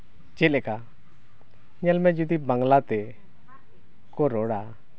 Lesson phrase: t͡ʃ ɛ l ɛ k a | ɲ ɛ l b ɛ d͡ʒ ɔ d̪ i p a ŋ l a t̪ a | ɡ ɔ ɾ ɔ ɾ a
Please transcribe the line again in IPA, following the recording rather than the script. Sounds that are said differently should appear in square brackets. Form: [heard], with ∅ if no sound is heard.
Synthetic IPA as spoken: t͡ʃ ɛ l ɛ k a | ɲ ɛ l [m] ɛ d͡ʒ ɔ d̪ i [b] a ŋ l a t̪ [ɛ] | [k] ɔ ɾ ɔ [ɽ] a